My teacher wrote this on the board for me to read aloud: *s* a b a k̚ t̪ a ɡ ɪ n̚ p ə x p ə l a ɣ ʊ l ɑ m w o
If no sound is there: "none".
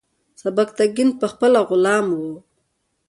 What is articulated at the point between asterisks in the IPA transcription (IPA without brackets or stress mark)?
s